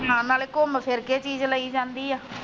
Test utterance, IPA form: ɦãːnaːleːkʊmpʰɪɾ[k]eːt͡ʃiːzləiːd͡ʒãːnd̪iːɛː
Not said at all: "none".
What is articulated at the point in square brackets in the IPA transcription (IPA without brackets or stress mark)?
k